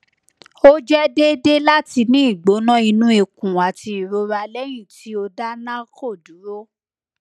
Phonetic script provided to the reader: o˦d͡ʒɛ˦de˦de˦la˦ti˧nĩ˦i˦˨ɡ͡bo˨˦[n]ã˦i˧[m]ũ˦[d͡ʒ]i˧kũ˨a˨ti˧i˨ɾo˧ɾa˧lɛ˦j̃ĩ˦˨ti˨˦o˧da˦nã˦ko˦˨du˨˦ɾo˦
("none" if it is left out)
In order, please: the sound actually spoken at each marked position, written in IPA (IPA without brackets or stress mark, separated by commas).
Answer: n, n, none